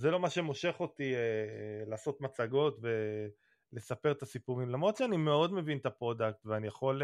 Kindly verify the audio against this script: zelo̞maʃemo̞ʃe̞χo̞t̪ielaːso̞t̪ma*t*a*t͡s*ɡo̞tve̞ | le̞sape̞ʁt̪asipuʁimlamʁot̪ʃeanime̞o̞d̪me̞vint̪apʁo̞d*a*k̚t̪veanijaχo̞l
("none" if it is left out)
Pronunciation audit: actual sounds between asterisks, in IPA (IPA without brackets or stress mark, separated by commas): t͡s, none, a